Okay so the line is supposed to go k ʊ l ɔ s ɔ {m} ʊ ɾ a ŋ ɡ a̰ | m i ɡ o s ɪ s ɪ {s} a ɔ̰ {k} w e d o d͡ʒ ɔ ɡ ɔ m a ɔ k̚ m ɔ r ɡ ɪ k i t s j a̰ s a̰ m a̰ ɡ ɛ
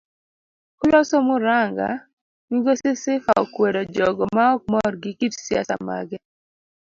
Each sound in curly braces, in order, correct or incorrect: correct, incorrect: f, correct

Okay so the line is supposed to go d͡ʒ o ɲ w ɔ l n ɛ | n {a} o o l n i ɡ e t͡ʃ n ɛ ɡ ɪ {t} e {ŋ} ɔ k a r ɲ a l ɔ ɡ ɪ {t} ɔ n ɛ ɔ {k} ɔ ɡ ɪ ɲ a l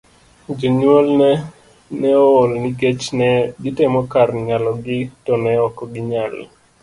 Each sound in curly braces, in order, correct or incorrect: incorrect: ɛ, correct, incorrect: m, correct, correct

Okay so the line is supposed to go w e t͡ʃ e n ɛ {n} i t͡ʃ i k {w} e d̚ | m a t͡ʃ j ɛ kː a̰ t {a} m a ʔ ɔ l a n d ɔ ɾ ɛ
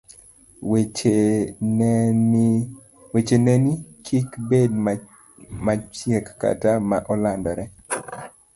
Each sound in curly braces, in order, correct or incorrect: correct, incorrect: b, correct

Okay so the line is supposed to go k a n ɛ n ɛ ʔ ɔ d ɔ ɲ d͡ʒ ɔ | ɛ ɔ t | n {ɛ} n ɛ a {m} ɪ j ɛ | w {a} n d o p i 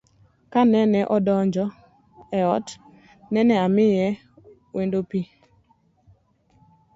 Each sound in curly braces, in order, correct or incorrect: correct, correct, incorrect: e

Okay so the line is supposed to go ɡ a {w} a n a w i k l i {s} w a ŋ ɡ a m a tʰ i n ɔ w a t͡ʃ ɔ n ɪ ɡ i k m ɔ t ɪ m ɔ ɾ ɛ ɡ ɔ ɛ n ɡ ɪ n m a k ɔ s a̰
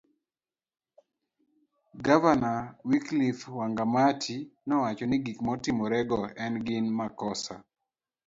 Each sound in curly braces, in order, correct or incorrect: incorrect: v, incorrect: f

